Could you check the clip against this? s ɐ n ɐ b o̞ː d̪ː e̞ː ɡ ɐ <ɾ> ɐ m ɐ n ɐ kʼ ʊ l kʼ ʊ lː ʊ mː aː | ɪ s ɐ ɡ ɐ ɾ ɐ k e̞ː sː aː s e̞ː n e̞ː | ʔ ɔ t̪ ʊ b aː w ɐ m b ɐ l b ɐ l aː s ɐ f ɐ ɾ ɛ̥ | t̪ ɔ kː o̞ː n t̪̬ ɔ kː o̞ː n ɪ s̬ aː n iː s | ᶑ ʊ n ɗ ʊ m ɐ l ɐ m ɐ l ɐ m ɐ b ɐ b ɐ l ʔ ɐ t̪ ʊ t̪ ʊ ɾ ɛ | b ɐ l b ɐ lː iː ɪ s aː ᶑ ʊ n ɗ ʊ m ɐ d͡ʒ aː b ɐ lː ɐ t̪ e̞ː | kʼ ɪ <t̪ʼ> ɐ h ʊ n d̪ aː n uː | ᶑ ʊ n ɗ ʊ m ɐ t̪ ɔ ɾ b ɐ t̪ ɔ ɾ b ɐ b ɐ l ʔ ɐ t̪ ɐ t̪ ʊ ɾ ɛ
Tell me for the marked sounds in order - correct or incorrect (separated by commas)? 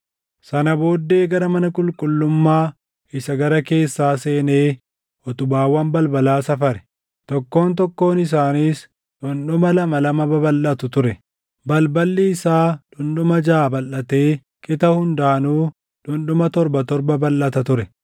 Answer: correct, incorrect